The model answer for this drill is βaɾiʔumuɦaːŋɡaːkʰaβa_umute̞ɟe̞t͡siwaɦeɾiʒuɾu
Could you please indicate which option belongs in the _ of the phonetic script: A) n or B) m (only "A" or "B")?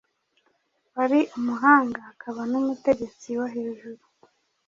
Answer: A